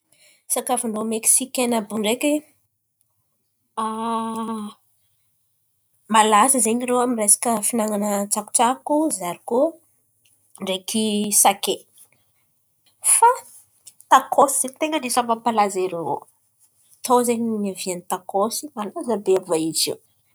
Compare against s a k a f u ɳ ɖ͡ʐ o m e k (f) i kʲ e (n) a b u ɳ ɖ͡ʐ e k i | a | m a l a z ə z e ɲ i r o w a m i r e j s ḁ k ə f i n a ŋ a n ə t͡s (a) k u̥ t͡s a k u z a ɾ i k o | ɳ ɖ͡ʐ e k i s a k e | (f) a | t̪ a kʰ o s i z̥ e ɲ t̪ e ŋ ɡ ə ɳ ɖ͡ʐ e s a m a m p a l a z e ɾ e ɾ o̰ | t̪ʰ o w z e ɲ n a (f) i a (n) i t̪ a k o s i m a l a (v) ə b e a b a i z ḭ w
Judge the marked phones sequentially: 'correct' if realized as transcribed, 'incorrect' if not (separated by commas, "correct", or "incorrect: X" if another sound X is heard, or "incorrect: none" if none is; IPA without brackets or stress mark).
incorrect: s, correct, correct, correct, incorrect: v, correct, incorrect: z